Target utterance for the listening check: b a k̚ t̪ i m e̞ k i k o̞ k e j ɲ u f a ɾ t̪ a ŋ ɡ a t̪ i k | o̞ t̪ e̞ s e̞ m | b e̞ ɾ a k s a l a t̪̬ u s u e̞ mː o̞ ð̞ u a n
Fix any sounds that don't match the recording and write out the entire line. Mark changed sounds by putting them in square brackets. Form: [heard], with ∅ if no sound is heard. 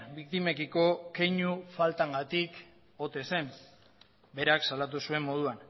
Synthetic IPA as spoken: b [i] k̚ t̪ i m e̞ k i k o̞ k e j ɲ u f a [l] t̪ a ŋ ɡ a t̪ i k | o̞ t̪ e̞ s e̞ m | b e̞ ɾ a k s a l a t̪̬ u s u e̞ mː o̞ ð̞ u a n